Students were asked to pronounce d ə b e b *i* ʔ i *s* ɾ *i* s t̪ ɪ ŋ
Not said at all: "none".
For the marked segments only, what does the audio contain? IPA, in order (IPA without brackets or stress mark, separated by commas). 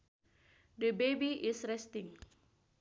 i, s, ɛ